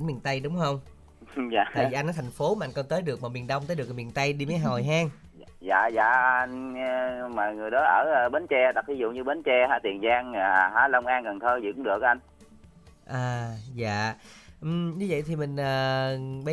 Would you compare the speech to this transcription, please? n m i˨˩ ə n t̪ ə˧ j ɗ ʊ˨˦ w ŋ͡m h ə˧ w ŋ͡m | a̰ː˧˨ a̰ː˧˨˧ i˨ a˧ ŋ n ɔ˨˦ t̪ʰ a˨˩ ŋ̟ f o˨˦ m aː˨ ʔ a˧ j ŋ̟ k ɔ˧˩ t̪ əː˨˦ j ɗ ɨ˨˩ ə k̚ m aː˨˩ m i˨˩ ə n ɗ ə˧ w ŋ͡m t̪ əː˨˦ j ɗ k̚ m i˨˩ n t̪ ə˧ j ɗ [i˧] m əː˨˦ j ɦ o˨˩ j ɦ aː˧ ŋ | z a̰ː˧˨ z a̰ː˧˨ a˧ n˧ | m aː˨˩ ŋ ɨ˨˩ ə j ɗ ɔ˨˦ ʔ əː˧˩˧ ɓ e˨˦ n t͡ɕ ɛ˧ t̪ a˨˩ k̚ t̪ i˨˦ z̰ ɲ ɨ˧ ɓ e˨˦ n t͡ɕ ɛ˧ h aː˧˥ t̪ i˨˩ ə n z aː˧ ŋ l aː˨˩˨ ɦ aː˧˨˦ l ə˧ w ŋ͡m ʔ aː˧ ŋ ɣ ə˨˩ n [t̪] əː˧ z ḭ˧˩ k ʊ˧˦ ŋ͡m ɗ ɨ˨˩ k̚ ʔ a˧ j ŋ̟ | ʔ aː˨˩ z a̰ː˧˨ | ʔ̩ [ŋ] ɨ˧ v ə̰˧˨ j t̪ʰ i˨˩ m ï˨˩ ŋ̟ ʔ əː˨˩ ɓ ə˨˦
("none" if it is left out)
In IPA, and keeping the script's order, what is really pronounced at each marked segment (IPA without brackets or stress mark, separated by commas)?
i˧, t̪ʰ, ɲ